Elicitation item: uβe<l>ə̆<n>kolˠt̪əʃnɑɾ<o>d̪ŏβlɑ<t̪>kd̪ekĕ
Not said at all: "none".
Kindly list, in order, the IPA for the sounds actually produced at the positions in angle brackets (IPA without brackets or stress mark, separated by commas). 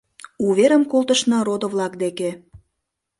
ɾ, m, o, none